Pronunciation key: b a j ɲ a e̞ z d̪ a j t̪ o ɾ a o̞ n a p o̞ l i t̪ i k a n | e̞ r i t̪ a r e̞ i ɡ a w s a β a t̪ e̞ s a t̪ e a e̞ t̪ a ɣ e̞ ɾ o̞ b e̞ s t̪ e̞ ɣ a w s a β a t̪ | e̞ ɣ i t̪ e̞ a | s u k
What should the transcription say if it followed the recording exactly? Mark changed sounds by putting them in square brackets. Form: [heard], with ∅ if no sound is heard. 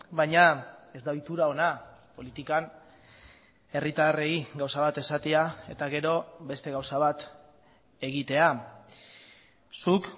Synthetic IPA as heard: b a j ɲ a e̞ z d̪ a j t̪ [u] ɾ a o̞ n a p o̞ l i t̪ i k a n | e̞ r i t̪ a r e̞ i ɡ a w s a β a t̪ e̞ s a t̪ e a e̞ t̪ a ɣ e̞ ɾ o̞ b e̞ s t̪ e̞ ɣ a w s a β a t̪ | e̞ ɣ i t̪ e̞ a | s u k